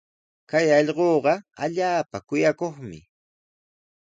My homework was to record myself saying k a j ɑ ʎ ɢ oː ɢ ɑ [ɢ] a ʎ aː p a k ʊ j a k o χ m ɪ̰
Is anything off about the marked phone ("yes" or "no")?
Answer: yes